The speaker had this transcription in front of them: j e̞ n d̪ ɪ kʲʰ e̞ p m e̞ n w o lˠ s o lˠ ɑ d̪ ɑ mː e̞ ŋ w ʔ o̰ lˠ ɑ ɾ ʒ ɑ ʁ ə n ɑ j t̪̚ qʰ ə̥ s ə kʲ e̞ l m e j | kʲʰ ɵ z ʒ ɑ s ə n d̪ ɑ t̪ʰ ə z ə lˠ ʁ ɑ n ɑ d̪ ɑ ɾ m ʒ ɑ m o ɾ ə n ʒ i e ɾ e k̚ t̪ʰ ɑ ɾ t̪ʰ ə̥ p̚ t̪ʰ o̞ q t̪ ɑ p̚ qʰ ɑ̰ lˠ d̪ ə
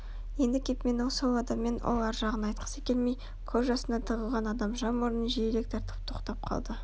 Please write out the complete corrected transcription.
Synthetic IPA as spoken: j e̞ n d̪ ɪ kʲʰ e̞ p m e̞ n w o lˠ s o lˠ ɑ d̪ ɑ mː e̞ n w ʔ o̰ lˠ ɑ ɾ ʒ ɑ ʁ ə n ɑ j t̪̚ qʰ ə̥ s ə kʲ e̞ l m e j | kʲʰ ɵ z ʒ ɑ s ə n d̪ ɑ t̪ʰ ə ʁ ə lˠ ʁ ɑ n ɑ d̪ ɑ m ʒ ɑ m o ɾ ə n ʒ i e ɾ e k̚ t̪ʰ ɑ ɾ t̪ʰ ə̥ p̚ t̪ʰ o̞ q t̪ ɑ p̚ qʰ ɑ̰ lˠ d̪ ə